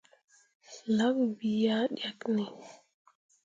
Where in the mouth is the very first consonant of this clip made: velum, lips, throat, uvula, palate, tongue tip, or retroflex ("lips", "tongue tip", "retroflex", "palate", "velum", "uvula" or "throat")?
tongue tip